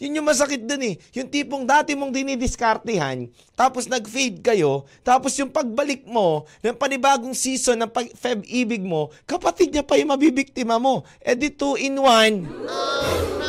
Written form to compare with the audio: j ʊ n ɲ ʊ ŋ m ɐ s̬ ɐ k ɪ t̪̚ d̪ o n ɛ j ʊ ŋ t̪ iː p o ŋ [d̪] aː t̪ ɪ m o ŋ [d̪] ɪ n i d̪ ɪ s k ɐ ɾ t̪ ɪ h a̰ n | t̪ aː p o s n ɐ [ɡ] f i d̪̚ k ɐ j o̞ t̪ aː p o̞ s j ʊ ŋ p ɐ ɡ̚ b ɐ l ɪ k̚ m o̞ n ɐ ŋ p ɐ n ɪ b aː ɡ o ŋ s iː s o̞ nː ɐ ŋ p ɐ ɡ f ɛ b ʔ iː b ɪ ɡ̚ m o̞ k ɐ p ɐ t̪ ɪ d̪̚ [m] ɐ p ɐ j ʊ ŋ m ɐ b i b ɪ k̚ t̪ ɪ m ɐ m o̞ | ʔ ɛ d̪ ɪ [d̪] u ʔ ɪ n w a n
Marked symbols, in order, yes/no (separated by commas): yes, yes, yes, no, no